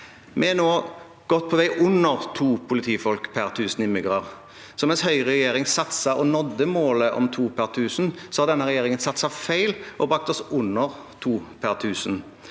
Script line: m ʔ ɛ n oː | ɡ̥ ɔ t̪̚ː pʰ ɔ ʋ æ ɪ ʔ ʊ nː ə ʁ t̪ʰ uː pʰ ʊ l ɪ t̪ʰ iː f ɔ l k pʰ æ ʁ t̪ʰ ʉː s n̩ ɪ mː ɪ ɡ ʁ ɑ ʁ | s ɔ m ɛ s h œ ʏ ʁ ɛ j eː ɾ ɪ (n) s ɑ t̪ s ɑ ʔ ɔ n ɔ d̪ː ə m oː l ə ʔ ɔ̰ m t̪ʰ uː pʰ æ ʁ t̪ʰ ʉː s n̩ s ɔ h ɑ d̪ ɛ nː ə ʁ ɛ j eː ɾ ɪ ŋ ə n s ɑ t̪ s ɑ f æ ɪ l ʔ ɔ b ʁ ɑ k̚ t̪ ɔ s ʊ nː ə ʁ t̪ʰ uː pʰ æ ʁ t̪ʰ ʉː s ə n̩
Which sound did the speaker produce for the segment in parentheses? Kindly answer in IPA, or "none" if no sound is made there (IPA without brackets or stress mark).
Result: ŋ